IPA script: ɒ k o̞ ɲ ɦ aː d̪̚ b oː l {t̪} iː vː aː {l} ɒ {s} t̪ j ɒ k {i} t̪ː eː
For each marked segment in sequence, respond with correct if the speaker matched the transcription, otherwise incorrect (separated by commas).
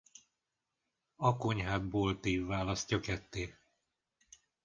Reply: correct, correct, correct, incorrect